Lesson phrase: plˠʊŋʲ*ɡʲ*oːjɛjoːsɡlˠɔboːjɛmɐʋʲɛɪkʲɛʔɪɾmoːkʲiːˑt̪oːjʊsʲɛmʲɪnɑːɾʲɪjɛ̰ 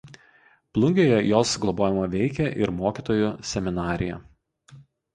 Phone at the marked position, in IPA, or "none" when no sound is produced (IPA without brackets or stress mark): ɡʲ